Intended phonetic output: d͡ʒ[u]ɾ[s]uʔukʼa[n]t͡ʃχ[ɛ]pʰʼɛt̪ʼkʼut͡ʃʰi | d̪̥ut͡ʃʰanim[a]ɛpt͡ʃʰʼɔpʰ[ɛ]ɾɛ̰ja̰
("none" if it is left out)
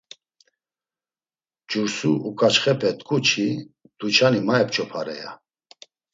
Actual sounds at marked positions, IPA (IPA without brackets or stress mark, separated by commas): u, s, none, ɛ, a, a